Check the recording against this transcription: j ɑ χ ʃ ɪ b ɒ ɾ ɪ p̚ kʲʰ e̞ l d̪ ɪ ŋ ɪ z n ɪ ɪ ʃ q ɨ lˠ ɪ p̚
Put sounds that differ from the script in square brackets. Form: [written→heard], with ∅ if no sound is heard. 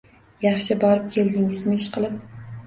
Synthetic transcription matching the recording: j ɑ χ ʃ ɪ b ɒ ɾ ɪ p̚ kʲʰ e̞ l d̪ ɪ ŋ ɪ z [n→m] ɪ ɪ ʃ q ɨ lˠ ɪ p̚